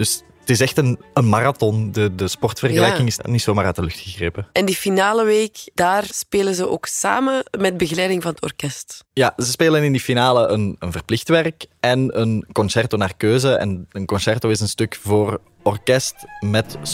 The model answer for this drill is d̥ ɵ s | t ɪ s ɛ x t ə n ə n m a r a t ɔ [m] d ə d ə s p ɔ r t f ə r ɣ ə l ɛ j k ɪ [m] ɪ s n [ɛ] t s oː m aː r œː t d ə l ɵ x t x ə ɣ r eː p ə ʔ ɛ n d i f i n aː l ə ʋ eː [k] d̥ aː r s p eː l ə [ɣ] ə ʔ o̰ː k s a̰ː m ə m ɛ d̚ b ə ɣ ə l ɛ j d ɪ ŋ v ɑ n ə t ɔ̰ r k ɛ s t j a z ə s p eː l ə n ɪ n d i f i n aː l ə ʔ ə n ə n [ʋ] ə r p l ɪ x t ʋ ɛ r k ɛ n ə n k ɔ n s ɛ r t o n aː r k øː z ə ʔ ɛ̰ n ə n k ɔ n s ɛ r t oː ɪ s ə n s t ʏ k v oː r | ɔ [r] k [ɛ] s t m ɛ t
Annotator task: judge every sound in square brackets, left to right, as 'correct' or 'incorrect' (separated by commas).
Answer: incorrect, incorrect, incorrect, correct, incorrect, incorrect, correct, correct